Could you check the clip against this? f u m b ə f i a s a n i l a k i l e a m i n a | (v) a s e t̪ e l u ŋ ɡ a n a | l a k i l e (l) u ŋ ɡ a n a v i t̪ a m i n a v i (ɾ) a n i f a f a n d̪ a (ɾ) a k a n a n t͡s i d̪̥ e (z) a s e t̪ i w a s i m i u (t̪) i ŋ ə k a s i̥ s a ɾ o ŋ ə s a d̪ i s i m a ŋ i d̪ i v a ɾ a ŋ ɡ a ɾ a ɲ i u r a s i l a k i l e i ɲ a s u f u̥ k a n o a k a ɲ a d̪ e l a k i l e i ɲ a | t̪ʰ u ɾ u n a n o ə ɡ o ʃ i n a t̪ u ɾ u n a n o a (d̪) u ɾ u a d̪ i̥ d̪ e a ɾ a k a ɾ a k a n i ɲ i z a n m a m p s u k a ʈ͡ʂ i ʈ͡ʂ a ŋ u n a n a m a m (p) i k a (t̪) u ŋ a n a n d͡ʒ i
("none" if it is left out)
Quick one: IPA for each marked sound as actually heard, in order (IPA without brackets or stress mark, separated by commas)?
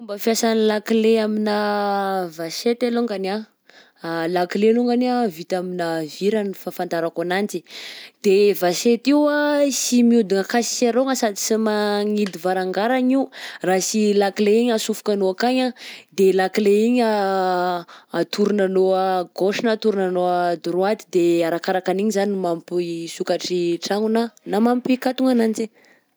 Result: v, l, ɾ, ɾ, v, d̪, d̪, p, t̪